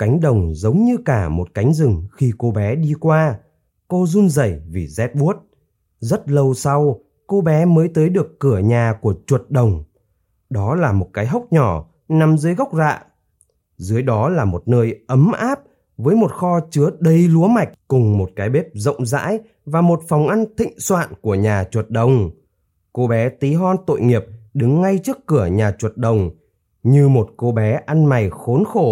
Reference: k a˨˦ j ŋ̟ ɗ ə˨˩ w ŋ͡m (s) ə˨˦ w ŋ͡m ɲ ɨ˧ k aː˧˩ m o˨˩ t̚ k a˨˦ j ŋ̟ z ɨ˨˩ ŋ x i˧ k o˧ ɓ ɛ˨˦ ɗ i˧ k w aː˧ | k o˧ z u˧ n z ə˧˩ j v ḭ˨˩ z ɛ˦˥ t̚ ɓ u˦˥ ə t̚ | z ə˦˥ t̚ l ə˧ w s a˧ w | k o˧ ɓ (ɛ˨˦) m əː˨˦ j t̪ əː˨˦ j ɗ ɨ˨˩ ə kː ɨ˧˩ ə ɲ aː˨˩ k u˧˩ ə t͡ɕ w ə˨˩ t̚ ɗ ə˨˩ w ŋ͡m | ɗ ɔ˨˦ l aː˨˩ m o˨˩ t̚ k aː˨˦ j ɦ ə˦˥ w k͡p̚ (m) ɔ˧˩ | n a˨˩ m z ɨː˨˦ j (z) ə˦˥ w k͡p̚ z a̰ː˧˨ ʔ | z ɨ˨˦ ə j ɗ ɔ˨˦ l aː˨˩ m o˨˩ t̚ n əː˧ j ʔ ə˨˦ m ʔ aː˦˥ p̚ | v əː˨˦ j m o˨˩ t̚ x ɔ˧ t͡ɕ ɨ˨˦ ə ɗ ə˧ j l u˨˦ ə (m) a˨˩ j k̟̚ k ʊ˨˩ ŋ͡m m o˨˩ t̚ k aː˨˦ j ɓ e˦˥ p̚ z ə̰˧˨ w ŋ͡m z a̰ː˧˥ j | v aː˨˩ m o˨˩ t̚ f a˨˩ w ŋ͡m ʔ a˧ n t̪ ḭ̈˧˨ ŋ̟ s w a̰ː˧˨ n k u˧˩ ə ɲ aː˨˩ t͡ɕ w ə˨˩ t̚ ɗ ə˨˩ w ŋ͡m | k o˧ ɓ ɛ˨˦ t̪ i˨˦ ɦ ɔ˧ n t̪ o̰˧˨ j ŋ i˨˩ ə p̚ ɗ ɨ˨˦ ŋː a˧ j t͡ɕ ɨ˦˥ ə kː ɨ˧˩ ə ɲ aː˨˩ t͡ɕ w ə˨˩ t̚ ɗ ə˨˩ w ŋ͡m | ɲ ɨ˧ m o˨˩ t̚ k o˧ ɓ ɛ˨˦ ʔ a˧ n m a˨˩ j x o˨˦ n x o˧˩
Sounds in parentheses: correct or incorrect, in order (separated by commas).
incorrect, correct, incorrect, incorrect, correct